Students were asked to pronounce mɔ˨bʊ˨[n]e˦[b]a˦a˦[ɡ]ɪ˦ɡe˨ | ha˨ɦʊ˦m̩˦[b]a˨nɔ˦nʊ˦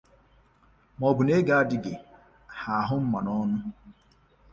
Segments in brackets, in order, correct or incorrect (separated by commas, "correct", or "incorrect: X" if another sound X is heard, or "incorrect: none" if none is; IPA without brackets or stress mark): correct, incorrect: ɡ, incorrect: d, incorrect: m